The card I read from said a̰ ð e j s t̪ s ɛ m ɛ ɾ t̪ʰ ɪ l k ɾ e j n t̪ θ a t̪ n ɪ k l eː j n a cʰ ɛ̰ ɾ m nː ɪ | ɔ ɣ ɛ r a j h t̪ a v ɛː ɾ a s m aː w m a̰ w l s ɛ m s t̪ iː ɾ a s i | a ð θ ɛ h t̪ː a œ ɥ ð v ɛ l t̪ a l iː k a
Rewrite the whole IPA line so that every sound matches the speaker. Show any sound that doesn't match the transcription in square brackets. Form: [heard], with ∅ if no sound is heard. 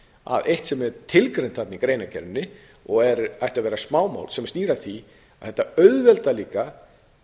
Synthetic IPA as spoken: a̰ ð e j [h] t̪ s ɛ m ɛ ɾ t̪ʰ ɪ l k ɾ e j n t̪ θ a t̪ n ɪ k [ɾ] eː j n a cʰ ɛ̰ ɾ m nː ɪ | ɔ ɣ ɛ [ɾ] a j h t̪ a v ɛː ɾ a s m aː w m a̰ w l s ɛ m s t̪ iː ɾ a [θ] i | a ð θ ɛ h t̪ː a œ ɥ ð v ɛ l t̪ a l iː k a

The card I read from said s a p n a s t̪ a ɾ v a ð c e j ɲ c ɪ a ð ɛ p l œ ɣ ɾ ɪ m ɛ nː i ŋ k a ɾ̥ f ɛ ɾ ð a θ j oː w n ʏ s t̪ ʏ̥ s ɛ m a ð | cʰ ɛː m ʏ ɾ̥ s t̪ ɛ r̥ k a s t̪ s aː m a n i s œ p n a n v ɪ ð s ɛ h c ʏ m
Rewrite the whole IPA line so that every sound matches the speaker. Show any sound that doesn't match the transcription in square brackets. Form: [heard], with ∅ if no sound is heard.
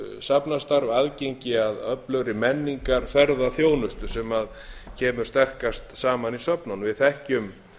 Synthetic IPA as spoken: s a p n a s t̪ a ɾ v a ð c e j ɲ c ɪ a ð [œ] p l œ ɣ ɾ ɪ m ɛ nː i ŋ k a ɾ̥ f ɛ ɾ ð a θ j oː w n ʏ s t̪ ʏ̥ s ɛ m a ð | cʰ ɛː m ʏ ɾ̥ s t̪ ɛ r̥ k a s t̪ s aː m a n i s œ p n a n v ɪ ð [θ] ɛ h c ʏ m

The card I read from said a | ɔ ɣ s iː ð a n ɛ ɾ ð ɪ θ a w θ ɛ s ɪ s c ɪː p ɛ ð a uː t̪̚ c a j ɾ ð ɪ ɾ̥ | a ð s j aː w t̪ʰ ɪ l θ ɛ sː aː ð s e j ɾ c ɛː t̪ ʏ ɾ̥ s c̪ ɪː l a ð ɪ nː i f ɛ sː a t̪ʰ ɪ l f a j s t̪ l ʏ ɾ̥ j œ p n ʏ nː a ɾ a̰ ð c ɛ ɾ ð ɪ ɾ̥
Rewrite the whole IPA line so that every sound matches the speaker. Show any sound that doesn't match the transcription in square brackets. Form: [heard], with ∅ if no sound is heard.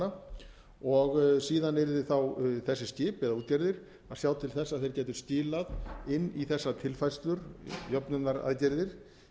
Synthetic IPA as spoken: a | ɔ ɣ s iː ð a n ɛ ɾ ð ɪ θ a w θ ɛ [sː] ɪ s c ɪː p ɛ ð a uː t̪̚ c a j ɾ ð ɪ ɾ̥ | a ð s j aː w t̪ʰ ɪ l θ ɛ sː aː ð [θ] e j ɾ c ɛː t̪ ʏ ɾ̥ s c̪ ɪː l a ð ɪ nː i [θ] ɛ sː a t̪ʰ ɪ l f a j s t̪ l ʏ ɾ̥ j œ p n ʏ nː a ɾ a̰ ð c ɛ ɾ ð ɪ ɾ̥

